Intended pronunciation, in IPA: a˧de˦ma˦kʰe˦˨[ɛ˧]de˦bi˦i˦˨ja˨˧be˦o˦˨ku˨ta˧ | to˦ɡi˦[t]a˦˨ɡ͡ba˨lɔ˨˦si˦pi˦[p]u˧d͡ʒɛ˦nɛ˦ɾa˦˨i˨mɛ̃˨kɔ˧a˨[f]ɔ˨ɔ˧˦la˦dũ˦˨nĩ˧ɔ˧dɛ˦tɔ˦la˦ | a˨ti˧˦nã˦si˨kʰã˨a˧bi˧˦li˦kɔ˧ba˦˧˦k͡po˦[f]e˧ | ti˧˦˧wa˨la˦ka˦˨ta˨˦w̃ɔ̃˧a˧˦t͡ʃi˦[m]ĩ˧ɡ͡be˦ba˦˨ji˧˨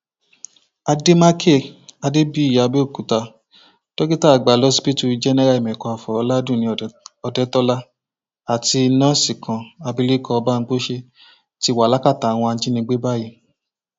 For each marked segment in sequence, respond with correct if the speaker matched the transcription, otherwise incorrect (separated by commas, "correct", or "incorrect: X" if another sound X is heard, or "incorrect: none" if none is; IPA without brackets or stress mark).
incorrect: a˧, correct, incorrect: t, correct, incorrect: ʃ, incorrect: n